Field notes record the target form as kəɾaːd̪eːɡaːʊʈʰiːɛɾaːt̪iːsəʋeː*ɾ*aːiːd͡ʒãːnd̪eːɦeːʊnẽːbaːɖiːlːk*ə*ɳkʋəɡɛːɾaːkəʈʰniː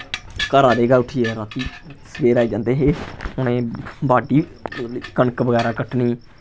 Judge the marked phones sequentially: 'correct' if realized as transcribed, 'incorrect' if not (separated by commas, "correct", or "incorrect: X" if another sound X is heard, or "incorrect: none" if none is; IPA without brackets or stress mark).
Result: correct, correct